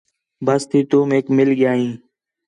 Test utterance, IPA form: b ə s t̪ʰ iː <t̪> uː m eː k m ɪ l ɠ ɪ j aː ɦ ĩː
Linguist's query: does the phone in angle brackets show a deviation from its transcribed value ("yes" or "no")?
no